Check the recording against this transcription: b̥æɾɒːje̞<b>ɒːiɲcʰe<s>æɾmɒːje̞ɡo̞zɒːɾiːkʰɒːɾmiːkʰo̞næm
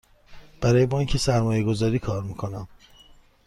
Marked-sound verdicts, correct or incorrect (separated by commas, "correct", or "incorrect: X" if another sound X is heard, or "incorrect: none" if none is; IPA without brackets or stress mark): correct, correct